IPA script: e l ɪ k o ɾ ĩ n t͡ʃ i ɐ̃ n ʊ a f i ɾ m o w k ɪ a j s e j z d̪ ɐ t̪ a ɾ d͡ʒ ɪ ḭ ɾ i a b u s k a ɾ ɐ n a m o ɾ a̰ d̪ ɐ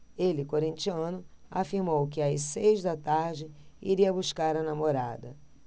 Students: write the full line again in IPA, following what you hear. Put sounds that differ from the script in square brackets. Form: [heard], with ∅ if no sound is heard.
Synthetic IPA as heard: e l ɪ k o ɾ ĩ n t͡ʃ i ɐ̃ n ʊ a f i ɾ m o w k ɪ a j s e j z d̪ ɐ t̪ a ɾ d͡ʒ ɪ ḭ ɾ i [ɐ] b u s k a ɾ ɐ n a m o ɾ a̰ d̪ ɐ